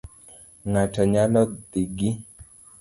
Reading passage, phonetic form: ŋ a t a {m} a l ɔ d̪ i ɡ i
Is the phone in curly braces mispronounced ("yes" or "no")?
yes